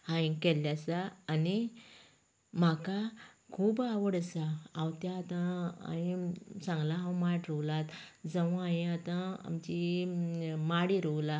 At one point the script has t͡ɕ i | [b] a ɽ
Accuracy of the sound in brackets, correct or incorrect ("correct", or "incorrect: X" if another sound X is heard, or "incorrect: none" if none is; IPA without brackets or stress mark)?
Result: incorrect: m